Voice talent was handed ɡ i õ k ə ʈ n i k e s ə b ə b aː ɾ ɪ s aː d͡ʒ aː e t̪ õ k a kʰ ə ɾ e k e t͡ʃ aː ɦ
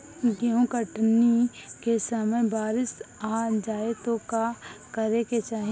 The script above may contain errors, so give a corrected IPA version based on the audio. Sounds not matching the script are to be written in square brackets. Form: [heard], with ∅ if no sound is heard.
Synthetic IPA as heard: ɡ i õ k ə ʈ n i k e s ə [m] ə b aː ɾ ɪ s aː d͡ʒ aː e t̪ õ k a [k] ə ɾ e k e t͡ʃ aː ɦ